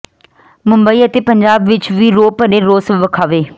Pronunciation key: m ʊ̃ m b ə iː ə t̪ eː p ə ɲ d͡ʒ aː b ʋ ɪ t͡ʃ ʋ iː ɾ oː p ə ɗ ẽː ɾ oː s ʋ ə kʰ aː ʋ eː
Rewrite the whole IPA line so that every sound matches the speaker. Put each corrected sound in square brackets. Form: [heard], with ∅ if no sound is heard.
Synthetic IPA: m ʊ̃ m b ə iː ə t̪ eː p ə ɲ d͡ʒ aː b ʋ ɪ t͡ʃ ʋ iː ɾ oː p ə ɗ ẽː ɾ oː s ʋ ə kʰ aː ʋ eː